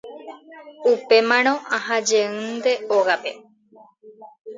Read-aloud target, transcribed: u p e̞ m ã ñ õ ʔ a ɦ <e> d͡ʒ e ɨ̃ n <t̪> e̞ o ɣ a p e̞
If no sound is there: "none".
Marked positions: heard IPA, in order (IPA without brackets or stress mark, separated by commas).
a, d̪